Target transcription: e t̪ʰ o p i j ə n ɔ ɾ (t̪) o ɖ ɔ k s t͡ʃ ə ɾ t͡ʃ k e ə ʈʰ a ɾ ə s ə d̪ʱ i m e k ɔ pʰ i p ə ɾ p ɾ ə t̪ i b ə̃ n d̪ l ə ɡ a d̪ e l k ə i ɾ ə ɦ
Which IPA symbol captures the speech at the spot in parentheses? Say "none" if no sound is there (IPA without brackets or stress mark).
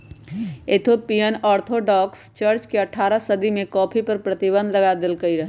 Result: t̪ʰ